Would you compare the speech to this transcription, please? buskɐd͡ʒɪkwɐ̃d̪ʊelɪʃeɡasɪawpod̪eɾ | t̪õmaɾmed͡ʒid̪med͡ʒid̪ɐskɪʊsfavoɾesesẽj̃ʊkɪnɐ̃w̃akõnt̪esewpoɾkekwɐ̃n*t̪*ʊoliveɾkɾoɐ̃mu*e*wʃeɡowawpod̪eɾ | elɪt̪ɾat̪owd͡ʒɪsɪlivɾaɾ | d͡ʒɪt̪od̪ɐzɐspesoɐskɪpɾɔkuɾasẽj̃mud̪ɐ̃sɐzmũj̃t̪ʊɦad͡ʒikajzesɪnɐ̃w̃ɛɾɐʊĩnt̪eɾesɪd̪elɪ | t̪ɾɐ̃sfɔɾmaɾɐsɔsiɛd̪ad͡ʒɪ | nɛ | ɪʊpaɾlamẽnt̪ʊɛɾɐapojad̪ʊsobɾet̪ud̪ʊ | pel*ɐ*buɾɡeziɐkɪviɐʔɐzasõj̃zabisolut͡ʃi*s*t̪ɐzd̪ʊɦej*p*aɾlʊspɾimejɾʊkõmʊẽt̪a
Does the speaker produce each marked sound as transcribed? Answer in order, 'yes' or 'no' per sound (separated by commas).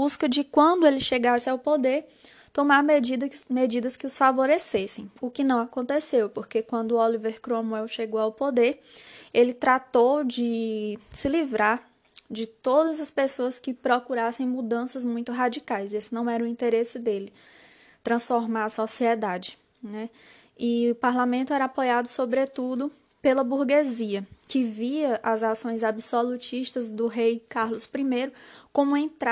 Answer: no, no, yes, no, no